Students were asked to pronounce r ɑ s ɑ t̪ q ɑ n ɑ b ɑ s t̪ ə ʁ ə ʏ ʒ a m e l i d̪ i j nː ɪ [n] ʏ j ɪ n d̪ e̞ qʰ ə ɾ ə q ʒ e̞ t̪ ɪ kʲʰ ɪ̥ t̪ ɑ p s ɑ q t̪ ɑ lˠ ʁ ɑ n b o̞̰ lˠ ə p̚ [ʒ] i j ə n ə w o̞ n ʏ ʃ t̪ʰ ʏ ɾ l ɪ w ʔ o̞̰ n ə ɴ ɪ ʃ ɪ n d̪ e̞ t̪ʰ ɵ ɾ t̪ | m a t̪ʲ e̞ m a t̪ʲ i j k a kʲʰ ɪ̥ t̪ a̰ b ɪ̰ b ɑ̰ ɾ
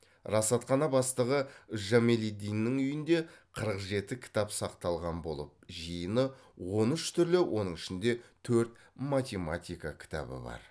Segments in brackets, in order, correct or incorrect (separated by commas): incorrect, correct